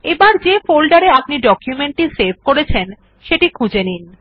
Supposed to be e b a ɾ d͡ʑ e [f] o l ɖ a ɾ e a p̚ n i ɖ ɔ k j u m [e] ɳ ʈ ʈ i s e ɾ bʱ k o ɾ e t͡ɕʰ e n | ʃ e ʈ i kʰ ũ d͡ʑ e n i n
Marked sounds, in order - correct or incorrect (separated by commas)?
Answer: correct, correct